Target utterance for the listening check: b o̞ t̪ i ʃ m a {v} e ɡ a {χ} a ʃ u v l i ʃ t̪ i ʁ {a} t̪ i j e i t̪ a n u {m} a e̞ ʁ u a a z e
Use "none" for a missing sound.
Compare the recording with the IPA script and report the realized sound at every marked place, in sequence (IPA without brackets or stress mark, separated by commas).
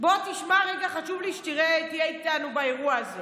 ʁ, χ, e, b